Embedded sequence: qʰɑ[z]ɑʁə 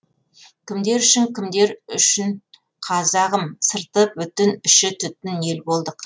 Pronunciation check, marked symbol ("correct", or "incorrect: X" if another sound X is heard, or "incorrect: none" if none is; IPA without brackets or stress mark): correct